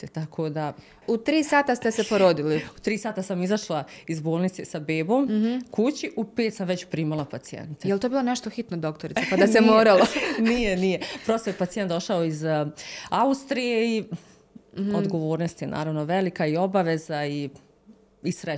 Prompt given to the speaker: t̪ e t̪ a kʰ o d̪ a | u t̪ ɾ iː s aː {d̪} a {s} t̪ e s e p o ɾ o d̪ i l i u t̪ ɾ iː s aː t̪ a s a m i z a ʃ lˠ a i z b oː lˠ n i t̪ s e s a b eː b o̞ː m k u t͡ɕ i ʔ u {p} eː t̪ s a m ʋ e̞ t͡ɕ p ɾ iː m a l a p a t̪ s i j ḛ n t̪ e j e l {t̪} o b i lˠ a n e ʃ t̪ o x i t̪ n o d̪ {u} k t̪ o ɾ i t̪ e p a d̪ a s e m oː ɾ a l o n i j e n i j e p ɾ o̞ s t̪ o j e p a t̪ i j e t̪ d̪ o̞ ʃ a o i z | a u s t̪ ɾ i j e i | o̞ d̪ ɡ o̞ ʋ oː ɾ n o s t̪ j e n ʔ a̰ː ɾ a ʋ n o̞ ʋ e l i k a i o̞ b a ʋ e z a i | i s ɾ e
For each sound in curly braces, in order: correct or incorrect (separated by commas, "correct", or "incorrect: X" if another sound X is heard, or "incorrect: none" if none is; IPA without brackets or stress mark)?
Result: incorrect: t̪, correct, correct, correct, incorrect: o